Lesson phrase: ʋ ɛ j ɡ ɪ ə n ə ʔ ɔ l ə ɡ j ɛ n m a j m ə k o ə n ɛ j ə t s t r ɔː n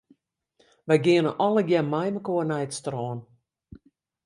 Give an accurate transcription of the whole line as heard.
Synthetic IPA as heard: ʋ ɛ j ɡ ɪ ə n ə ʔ ɔ l ə ɡ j ɛ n m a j m ə k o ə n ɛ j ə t s t r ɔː n